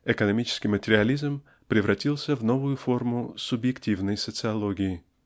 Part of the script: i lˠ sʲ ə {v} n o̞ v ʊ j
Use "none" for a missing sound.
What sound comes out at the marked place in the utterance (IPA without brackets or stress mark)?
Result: v